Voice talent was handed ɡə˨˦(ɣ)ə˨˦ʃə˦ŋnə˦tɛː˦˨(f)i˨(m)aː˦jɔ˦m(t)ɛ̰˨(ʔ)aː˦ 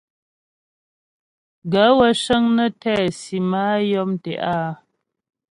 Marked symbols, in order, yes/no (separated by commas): no, no, yes, yes, yes